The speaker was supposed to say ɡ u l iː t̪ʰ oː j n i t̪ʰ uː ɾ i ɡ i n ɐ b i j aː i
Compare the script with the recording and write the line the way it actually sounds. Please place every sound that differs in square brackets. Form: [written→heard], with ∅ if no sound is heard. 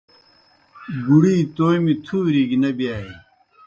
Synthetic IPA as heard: ɡ u [l→ɽ] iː [t̪ʰ→t̪] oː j [n→m] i t̪ʰ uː ɾ i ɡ i n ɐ b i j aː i